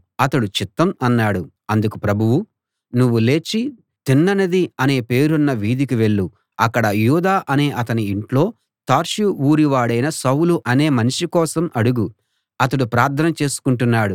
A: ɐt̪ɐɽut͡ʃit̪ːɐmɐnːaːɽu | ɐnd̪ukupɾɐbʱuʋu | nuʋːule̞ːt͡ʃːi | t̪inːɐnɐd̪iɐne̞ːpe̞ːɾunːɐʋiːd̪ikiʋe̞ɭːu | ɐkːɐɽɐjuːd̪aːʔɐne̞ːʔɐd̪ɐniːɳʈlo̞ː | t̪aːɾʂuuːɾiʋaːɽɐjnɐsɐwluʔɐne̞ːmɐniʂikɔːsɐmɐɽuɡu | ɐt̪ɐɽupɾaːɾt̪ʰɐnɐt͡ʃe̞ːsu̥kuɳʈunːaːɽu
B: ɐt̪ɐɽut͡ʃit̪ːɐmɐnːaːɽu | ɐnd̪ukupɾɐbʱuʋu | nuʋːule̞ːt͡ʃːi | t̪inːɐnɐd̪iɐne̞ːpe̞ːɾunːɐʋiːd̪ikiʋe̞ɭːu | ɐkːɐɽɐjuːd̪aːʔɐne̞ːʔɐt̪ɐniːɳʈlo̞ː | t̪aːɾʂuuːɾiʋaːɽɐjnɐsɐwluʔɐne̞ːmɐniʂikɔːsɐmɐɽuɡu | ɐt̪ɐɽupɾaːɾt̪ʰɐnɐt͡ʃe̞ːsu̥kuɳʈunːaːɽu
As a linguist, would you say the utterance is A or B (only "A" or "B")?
B